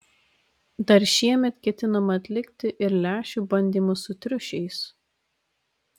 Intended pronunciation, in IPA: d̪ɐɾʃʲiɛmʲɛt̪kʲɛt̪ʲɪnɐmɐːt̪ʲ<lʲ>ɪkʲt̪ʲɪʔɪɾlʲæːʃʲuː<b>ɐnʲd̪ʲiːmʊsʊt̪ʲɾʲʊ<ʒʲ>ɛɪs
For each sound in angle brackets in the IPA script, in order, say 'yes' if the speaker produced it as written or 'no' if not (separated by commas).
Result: yes, yes, no